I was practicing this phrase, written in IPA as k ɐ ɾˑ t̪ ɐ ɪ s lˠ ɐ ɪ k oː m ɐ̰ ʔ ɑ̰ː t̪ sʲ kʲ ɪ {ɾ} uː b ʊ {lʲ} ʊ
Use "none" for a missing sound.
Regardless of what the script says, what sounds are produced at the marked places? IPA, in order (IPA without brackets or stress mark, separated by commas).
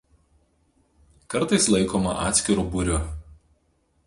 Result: ɾ, ɾʲ